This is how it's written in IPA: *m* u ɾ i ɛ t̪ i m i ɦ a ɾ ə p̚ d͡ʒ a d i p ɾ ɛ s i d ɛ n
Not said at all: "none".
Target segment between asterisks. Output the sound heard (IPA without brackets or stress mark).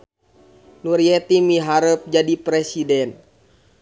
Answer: n